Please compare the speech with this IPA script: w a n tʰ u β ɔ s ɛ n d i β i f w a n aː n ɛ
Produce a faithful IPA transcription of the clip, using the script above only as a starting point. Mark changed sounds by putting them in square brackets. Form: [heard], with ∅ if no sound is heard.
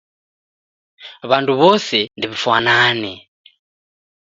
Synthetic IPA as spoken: [β] a n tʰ u β ɔ s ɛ n d i β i f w a n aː n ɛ

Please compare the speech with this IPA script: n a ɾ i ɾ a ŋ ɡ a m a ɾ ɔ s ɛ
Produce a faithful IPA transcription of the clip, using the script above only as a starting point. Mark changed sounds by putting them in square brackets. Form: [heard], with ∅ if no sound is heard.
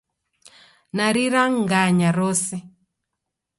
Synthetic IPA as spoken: n a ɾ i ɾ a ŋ ɡ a [ɲ] a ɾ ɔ s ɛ

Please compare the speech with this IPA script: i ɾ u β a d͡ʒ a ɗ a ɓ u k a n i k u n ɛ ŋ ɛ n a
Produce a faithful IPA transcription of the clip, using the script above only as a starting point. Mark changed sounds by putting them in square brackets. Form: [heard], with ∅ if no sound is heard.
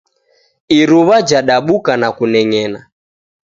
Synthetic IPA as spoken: i ɾ u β a d͡ʒ a ɗ a ɓ u k a n [a] k u n ɛ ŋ ɛ n a

